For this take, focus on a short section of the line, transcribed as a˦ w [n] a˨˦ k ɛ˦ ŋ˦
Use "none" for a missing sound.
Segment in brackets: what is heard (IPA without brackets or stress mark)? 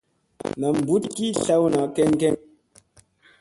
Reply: n